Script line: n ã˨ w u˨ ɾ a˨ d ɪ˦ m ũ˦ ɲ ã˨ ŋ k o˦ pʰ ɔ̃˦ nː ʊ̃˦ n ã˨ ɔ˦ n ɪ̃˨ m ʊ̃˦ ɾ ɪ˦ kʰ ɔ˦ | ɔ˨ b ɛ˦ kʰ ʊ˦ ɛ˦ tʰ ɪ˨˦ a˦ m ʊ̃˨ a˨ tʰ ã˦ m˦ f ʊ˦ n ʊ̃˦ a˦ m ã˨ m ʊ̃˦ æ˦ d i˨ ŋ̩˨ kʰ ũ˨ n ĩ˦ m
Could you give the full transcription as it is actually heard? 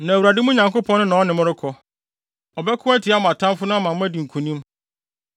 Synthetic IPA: n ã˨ w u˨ ɾ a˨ d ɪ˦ m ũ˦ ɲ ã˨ ŋ k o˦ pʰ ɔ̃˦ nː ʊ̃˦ n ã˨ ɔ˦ n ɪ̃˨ m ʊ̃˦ ɾ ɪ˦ kʰ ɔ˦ | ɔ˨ b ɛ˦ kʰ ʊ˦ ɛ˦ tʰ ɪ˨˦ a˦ m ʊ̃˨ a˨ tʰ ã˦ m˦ f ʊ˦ n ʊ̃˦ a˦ m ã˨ m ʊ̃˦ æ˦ d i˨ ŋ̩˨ kʰ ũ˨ n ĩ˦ m